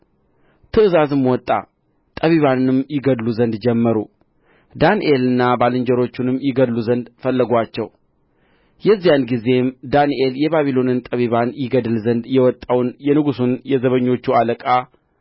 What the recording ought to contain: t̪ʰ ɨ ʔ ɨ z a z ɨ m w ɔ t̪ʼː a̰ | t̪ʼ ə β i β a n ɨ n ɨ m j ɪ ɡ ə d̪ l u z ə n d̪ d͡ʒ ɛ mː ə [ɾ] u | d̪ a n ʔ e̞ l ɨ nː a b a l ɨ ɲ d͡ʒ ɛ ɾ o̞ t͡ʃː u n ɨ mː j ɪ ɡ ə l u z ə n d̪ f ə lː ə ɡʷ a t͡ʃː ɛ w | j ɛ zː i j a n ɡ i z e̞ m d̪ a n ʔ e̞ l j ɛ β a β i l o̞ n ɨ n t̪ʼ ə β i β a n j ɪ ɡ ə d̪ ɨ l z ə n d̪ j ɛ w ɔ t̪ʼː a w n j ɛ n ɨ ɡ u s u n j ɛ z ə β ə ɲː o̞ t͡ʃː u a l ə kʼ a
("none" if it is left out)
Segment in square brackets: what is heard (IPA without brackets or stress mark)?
ɾ